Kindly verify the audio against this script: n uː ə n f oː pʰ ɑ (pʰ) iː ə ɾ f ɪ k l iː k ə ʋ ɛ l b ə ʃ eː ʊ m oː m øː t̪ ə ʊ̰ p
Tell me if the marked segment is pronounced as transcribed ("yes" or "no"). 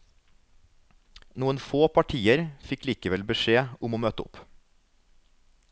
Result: no